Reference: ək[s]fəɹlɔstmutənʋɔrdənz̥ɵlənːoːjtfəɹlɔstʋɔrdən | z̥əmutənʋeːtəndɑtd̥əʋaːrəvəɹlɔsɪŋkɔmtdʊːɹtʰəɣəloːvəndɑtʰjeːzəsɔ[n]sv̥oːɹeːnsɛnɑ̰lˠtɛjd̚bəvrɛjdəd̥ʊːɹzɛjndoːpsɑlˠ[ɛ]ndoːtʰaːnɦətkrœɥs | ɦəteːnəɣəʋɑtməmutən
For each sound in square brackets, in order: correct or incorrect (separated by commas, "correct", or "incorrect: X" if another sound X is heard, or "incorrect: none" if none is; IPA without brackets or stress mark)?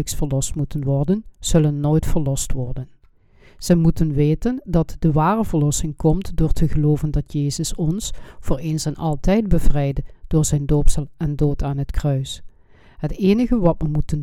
correct, correct, correct